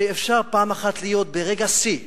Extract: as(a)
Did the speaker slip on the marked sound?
yes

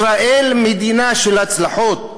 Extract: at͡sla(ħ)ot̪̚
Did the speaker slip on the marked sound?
no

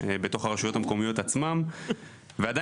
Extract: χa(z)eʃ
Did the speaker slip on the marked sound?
yes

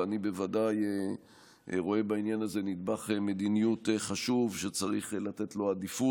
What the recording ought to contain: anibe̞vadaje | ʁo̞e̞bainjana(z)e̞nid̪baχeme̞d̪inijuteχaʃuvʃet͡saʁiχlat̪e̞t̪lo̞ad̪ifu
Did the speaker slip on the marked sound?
no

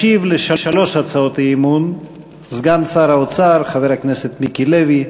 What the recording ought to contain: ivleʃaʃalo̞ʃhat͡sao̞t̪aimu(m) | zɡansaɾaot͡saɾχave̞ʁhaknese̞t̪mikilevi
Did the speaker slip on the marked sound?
yes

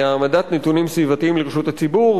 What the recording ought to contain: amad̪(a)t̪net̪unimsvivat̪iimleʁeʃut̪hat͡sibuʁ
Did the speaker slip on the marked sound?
no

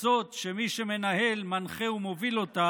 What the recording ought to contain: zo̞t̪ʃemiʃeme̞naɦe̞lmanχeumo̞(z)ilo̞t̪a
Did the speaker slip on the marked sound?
yes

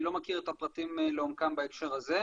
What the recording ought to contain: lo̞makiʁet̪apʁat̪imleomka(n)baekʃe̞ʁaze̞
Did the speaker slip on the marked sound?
yes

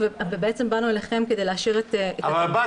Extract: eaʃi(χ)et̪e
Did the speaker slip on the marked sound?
yes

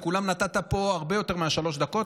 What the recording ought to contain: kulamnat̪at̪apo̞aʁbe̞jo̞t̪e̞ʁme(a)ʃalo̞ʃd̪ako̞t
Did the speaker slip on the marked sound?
no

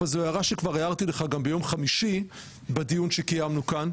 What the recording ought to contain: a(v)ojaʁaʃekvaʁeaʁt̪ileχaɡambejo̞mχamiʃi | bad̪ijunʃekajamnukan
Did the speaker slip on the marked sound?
yes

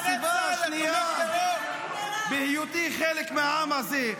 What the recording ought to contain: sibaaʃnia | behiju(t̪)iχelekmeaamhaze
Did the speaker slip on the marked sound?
no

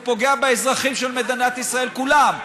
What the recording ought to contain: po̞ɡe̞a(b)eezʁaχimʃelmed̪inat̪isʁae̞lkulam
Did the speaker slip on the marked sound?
no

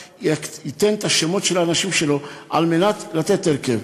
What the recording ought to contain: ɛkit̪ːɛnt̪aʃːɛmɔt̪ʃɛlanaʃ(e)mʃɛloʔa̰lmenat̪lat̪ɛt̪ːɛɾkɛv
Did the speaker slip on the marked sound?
yes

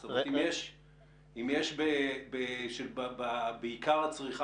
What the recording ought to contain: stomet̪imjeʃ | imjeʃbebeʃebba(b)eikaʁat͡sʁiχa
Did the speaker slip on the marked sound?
no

